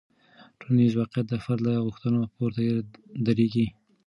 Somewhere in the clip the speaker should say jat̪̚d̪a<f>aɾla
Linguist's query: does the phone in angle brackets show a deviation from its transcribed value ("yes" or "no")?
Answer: no